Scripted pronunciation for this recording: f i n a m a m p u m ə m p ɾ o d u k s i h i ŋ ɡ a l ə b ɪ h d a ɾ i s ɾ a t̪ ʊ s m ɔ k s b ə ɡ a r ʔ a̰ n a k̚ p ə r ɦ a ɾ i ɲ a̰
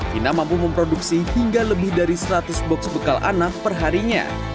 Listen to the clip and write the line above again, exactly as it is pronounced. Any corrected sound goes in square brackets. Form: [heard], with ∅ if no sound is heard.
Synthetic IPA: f i n a m a m p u m ə m p ɾ o d u k s i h i ŋ ɡ a l ə b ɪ h d a ɾ i s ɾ a t̪ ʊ s [b] ɔ k s b ə [k] a [l] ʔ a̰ n a k̚ p ə r ɦ a ɾ i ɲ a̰